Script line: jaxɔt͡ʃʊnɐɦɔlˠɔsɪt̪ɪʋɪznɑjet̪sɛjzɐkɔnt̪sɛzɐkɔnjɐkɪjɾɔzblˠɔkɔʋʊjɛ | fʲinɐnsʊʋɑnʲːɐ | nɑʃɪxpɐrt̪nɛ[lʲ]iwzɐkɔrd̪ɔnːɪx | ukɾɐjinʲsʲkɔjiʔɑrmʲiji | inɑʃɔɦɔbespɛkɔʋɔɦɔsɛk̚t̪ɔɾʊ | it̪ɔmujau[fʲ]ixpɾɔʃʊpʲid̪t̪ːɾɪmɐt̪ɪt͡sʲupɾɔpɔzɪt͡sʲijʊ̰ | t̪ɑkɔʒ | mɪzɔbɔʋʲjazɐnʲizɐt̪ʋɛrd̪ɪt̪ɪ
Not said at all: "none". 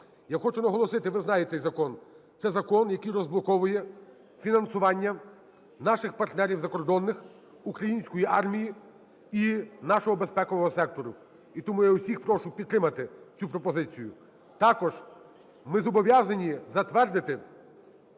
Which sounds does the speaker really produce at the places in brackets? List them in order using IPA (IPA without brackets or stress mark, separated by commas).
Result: ɾʲ, sʲ